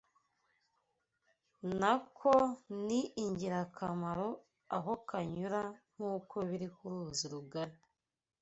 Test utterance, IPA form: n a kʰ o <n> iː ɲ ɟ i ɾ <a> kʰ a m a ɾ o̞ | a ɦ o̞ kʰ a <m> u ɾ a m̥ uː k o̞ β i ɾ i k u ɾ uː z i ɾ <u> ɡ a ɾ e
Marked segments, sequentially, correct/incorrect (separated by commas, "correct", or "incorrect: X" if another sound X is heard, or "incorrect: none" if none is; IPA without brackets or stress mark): correct, correct, incorrect: ɲ, correct